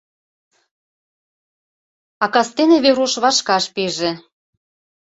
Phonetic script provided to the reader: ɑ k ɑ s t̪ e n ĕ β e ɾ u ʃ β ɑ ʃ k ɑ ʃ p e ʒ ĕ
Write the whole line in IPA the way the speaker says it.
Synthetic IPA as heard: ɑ k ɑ s t̪ e n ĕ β e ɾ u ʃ β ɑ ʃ k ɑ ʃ p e ʒ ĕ